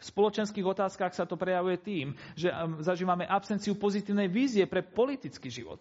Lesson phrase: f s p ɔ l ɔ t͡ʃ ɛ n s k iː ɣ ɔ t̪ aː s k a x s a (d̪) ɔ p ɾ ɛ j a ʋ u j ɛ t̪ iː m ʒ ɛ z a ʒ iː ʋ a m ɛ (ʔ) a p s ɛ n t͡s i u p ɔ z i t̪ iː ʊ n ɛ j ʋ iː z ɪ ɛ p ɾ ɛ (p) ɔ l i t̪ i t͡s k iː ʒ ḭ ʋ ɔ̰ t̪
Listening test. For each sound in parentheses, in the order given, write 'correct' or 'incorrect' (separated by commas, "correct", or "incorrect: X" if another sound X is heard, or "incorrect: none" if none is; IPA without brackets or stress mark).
incorrect: t̪, correct, correct